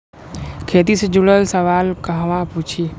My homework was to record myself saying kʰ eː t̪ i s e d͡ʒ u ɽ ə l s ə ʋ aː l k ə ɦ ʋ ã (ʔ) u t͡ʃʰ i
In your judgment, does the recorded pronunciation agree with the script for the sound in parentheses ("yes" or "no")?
no